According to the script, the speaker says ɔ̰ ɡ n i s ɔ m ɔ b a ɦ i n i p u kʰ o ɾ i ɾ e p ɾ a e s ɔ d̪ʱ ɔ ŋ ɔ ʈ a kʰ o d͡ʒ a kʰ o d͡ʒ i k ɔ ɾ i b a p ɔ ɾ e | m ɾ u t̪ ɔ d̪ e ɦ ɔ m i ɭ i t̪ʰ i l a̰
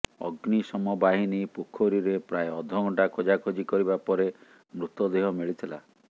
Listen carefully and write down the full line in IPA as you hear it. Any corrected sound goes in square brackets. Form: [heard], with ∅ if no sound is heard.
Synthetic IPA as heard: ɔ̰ ɡ n i s ɔ m ɔ b a ɦ i n i p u kʰ o ɾ i ɾ e p ɾ a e [∅] ɔ d̪ʱ ɔ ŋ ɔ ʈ a kʰ o d͡ʒ a kʰ o d͡ʒ i k ɔ ɾ i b a p ɔ ɾ e | m ɾ u t̪ ɔ d̪ e ɦ ɔ m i ɭ i t̪ʰ i l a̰